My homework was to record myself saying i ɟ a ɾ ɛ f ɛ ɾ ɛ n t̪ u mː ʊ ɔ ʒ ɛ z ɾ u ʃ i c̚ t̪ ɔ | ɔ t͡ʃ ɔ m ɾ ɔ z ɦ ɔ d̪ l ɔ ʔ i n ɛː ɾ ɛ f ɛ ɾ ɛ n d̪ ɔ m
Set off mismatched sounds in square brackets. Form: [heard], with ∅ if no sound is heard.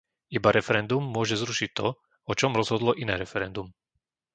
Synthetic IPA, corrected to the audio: i [b] a ɾ ɛ f ɛ ɾ ɛ n [d̪] u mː ʊ ɔ ʒ ɛ z ɾ u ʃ i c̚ t̪ ɔ | ɔ t͡ʃ ɔ m ɾ ɔ z ɦ ɔ d̪ l ɔ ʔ i n ɛː ɾ ɛ f ɛ ɾ ɛ n d̪ [u] m